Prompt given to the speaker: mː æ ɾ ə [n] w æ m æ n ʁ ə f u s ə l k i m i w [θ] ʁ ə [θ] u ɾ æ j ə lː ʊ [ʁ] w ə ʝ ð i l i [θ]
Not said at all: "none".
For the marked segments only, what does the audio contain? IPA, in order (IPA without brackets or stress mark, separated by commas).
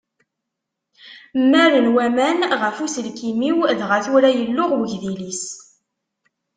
n, ð, θ, ʁ, s